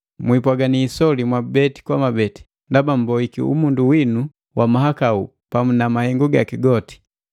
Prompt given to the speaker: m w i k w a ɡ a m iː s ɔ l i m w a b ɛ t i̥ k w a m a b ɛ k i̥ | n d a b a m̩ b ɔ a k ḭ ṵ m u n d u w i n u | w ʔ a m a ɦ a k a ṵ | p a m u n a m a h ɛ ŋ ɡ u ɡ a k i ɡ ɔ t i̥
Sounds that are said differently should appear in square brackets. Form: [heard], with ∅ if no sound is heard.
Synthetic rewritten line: m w i [p] w a ɡ a [n] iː s ɔ l i m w a b ɛ t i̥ k w a m a b ɛ [t] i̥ | n d a b a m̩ b ɔ [i] k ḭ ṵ m u n d u w i n u | w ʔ a m a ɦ a k a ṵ | p a m u n a m a h ɛ ŋ ɡ u ɡ a k i ɡ ɔ t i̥